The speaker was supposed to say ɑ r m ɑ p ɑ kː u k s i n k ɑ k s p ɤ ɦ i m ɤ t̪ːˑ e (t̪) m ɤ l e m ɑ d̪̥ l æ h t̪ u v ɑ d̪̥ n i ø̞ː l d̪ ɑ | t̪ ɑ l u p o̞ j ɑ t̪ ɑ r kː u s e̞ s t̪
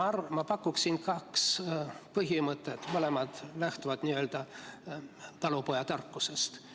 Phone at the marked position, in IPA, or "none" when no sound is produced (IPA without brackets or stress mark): t̪